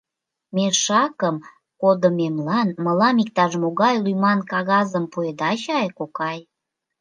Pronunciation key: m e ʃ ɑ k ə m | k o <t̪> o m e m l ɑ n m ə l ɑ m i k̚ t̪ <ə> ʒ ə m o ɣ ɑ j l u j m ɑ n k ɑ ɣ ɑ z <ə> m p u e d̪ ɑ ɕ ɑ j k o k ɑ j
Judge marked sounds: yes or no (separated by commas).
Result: no, no, yes